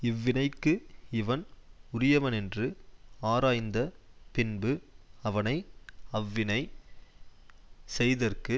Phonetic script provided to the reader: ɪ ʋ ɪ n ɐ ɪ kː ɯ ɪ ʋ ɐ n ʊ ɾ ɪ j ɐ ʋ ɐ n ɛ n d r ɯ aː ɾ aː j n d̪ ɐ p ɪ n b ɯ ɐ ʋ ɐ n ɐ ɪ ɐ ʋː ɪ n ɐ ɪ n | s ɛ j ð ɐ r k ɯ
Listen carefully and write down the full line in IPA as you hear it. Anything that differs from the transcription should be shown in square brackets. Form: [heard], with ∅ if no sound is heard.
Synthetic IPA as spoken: ɪ [ʋː] ɪ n ɐ ɪ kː ɯ ɪ ʋ ɐ n ʊ ɾ ɪ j ɐ ʋ ɐ n ɛ n d r ɯ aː ɾ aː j n d̪ ɐ p ɪ n b ɯ ɐ ʋ ɐ n ɐ ɪ ɐ ʋː ɪ n ɐ ɪ [∅] | s ɛ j ð ɐ r k ɯ